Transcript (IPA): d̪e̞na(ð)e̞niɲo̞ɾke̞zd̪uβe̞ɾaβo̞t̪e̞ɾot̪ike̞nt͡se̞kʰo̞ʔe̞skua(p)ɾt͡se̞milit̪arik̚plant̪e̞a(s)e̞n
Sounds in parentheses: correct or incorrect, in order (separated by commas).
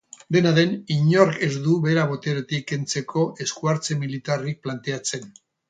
correct, incorrect, incorrect